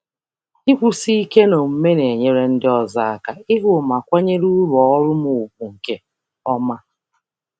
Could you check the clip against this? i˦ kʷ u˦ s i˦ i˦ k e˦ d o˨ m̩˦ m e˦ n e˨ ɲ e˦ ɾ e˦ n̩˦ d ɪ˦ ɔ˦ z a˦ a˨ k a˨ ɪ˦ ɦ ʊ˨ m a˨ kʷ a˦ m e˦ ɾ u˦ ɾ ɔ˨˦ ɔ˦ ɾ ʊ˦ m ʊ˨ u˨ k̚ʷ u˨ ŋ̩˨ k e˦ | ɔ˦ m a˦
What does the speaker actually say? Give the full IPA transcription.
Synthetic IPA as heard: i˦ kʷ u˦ s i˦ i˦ k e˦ n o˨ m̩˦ m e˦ n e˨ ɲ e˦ ɾ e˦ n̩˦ d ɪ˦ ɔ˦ z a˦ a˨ k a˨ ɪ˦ ɦ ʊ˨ m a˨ kʷ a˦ ɲ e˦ ɾ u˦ ɾ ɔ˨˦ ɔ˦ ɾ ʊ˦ m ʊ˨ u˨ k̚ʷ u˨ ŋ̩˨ k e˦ | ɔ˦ m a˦